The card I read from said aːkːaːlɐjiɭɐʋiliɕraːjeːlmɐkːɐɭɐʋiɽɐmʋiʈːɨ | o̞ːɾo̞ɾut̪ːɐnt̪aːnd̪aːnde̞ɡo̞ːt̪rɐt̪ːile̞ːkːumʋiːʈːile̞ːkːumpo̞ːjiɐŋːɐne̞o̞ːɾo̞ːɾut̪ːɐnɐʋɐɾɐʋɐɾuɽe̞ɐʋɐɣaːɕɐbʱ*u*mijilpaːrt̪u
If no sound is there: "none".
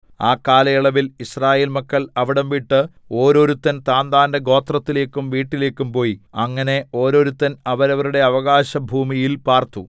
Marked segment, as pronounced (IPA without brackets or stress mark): uː